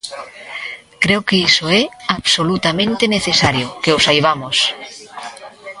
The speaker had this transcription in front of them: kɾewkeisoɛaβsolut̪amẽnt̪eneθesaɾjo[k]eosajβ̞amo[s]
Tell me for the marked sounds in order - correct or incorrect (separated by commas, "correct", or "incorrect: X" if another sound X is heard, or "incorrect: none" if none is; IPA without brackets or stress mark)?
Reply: correct, correct